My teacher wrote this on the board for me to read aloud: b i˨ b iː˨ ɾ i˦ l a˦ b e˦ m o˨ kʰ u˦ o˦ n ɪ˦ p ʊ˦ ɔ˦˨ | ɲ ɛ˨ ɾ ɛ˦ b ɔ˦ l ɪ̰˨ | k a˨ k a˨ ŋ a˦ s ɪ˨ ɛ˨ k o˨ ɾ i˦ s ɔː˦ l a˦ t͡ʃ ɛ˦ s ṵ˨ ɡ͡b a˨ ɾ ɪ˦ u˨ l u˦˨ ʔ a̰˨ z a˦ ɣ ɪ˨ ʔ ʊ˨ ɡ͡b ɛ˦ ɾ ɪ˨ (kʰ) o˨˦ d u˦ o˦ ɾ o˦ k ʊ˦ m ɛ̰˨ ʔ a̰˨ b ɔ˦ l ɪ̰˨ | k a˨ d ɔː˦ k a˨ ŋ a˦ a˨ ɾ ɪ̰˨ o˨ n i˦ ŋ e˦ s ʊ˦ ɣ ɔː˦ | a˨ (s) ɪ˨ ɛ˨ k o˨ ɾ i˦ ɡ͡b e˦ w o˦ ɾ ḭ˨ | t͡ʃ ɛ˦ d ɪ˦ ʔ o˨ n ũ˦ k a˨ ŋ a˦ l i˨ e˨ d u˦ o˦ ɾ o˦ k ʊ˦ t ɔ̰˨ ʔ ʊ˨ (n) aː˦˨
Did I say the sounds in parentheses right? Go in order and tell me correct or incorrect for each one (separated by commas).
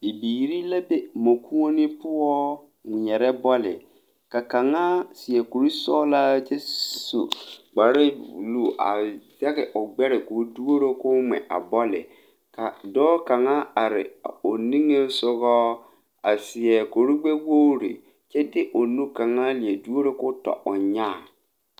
incorrect, correct, incorrect